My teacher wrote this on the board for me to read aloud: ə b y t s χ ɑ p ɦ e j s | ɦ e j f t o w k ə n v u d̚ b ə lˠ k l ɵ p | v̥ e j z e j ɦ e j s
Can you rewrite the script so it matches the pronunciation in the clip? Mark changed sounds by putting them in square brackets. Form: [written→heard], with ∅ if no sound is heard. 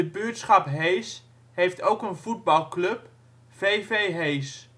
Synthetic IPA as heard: ə b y t s χ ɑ p ɦ e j s | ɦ e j f t o w k ə n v u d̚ b [ə→ɑ] lˠ k l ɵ p | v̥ e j [z→v] e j ɦ e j s